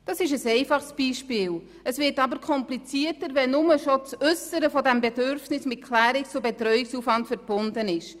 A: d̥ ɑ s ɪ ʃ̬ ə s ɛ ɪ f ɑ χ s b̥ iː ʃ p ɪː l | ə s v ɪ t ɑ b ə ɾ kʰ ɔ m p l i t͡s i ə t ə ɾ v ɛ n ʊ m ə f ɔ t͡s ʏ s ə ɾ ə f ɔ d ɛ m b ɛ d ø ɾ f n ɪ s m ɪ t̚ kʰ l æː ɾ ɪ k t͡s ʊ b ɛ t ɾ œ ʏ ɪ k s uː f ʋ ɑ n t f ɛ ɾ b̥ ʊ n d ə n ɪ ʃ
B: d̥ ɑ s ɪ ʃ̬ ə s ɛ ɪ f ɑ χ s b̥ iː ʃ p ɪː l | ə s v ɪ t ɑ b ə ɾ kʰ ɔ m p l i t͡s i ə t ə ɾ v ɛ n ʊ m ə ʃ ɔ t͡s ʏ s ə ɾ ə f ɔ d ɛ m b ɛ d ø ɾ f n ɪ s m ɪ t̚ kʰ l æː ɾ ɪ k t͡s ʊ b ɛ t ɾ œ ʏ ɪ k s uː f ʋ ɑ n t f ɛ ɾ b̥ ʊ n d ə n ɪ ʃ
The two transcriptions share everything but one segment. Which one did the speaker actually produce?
B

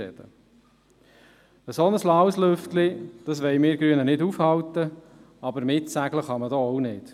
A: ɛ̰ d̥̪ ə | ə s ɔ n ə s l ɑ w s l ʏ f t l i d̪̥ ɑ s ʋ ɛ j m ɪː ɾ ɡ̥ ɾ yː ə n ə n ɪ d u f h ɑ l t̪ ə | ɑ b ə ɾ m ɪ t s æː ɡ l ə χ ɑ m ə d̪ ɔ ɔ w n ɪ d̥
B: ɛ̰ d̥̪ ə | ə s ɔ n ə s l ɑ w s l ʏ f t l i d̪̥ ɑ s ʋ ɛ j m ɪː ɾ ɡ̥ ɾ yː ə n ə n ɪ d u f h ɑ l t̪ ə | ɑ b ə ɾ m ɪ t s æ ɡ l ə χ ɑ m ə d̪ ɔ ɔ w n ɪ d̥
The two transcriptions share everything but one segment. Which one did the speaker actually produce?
B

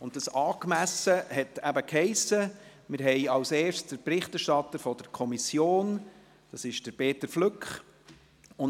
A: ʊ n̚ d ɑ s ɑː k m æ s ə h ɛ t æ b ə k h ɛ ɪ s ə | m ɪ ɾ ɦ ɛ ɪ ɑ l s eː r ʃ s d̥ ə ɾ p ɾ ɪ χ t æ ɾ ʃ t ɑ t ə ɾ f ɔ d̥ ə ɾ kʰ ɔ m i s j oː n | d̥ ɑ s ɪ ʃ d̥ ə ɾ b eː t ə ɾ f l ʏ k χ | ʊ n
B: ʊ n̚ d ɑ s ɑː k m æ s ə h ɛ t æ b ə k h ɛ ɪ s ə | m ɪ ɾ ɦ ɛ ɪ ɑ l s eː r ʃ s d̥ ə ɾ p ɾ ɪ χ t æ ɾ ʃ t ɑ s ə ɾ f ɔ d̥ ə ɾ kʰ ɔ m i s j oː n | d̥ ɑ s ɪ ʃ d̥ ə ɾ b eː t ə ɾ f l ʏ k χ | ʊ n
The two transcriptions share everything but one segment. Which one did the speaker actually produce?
A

